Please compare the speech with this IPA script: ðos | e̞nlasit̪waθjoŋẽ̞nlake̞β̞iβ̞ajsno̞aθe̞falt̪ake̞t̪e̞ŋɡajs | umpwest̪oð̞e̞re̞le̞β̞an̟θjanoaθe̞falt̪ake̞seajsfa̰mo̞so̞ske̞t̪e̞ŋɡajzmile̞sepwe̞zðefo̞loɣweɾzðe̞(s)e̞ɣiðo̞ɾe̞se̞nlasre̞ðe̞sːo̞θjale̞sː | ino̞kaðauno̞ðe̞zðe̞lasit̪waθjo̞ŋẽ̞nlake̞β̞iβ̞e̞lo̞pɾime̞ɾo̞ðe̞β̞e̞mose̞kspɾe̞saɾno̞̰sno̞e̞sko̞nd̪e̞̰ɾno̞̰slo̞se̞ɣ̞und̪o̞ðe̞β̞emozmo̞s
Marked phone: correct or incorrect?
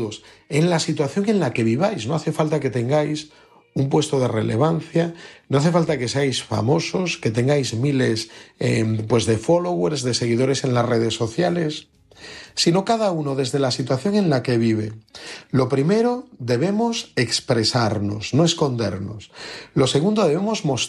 correct